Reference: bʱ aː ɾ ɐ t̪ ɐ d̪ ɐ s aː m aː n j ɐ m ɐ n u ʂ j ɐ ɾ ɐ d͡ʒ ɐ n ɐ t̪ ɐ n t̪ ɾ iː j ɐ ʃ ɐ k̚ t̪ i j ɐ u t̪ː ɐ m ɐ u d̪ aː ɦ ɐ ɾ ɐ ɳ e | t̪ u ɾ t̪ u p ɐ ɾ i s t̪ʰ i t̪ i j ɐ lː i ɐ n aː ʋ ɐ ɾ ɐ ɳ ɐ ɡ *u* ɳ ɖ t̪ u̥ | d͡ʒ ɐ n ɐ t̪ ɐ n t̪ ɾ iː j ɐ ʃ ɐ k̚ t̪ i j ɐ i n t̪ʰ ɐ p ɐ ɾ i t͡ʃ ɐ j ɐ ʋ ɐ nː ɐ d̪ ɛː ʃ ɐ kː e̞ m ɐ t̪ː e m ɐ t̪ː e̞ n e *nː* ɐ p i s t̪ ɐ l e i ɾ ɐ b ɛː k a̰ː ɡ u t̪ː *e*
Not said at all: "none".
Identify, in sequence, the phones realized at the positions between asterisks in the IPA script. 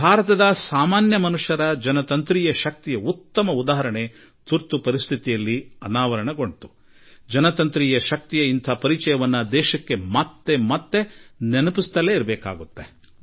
o, n, e

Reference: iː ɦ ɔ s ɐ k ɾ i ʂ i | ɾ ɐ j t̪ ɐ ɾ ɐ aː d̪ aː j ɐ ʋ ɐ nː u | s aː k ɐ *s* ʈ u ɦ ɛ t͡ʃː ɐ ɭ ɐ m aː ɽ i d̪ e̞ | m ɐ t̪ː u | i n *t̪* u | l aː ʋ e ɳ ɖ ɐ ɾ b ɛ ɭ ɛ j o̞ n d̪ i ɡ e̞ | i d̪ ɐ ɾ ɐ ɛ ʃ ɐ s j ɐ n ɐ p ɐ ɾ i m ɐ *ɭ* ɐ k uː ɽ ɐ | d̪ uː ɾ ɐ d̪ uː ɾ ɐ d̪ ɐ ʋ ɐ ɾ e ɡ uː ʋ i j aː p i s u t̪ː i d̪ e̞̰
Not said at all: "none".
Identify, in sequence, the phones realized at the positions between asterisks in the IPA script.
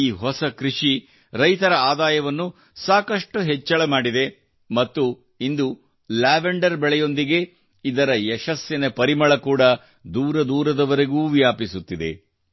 ʂ, d̪, ɭ

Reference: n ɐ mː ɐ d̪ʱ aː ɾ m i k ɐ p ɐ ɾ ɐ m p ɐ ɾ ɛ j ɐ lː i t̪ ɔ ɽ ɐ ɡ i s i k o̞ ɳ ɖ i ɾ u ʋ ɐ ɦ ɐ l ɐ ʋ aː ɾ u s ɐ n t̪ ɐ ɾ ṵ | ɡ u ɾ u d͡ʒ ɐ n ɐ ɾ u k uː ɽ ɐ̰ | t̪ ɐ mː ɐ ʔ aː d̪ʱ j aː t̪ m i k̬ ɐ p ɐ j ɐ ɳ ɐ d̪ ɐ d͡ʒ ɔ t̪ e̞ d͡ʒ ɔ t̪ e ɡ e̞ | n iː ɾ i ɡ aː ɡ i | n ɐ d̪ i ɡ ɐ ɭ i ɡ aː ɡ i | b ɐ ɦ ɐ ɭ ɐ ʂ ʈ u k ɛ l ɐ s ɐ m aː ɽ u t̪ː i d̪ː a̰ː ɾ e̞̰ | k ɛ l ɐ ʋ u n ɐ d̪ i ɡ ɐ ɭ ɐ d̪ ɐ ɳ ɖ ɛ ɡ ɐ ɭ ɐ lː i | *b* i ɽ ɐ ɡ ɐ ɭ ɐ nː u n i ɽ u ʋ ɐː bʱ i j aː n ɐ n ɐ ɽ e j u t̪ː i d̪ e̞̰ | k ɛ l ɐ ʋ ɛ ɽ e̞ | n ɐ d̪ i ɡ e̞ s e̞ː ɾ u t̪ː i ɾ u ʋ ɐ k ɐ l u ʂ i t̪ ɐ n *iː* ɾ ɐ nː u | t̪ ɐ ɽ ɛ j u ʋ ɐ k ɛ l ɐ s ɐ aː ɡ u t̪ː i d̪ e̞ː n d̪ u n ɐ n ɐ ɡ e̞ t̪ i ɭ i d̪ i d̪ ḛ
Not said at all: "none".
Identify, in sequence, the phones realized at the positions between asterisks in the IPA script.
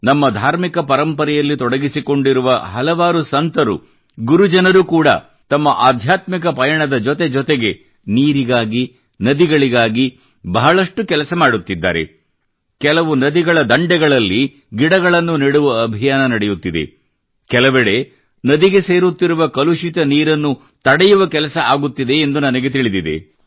ɡ, iː

